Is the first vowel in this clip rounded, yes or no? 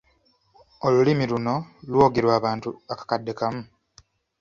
yes